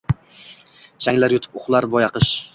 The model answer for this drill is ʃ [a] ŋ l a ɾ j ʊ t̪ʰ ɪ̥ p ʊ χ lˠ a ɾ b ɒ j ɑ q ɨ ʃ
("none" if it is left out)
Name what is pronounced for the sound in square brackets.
a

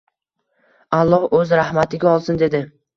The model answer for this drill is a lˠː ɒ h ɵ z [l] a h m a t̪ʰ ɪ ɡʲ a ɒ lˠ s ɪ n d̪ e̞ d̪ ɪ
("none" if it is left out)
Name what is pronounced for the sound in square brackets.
ɾ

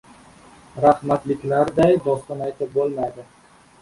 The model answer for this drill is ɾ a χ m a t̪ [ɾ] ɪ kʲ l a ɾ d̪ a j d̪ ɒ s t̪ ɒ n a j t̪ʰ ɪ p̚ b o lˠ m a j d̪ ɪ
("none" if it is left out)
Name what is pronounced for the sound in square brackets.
l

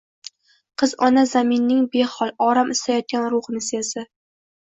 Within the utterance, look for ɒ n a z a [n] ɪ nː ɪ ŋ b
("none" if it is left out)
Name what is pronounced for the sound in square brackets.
m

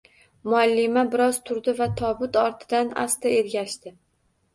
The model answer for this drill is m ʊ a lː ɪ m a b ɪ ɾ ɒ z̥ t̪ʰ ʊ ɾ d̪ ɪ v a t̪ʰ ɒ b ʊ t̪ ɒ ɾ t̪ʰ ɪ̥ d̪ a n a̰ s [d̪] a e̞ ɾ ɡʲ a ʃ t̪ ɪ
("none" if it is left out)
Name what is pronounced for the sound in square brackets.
t̪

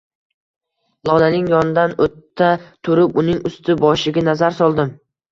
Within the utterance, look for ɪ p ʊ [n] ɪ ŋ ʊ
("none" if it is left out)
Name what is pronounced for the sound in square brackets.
n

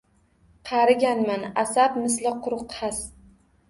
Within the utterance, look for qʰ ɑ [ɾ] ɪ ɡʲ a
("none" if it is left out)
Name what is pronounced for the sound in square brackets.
ɾ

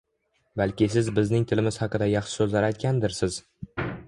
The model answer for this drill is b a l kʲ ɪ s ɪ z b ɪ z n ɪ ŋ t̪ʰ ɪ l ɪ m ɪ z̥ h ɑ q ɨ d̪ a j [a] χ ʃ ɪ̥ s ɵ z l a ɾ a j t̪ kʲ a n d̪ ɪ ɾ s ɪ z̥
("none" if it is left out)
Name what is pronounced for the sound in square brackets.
ɑ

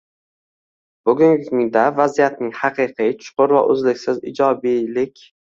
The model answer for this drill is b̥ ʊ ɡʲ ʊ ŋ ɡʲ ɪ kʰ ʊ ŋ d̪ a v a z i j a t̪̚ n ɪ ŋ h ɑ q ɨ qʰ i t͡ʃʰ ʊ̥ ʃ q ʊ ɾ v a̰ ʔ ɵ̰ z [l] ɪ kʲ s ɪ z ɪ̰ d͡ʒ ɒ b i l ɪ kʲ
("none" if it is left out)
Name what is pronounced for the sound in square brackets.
l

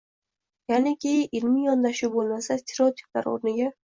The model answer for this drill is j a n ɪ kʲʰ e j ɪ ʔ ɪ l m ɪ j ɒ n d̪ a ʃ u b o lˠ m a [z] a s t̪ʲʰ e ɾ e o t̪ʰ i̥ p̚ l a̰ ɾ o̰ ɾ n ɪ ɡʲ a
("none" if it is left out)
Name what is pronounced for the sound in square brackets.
s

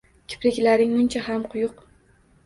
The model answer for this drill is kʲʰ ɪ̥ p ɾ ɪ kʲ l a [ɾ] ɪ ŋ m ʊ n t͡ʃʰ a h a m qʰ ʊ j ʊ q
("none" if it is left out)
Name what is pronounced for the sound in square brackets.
ɾ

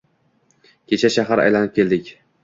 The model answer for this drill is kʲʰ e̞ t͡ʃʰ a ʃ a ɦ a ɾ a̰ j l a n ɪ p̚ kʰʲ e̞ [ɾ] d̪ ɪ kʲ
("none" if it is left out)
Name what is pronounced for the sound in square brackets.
l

